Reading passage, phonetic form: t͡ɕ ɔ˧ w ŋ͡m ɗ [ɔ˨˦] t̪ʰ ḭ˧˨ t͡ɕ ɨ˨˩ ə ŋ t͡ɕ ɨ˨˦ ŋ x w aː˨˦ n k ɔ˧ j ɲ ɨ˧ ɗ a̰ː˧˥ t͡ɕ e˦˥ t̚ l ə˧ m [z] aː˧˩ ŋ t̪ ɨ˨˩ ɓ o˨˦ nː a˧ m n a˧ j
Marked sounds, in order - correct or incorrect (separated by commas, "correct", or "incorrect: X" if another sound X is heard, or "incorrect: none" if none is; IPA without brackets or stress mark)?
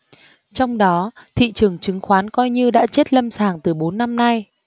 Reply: correct, incorrect: s